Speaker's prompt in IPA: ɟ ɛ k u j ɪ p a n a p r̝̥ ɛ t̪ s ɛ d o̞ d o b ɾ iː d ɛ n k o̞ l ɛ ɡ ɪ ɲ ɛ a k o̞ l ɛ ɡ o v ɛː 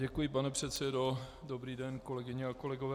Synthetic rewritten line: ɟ ɛ k u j ɪ p a n ɛ p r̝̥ ɛ t̪ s ɛ d o̞ d o b ɾ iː d ɛ n k o̞ l ɛ ɡ ɪ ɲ ɛ a k o̞ l ɛ ɡ o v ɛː